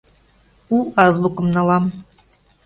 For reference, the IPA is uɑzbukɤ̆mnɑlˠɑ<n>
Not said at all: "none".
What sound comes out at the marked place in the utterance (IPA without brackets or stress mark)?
m